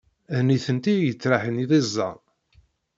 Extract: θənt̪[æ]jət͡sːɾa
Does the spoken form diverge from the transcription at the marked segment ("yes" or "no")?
yes